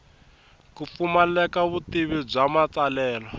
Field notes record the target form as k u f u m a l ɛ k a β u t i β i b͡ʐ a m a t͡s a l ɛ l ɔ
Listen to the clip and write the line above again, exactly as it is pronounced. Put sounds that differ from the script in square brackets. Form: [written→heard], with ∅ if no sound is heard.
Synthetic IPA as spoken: k u f u m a l ɛ k a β u t i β i b͡ʐ a m a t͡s a l [ɛ→ɛː] l ɔ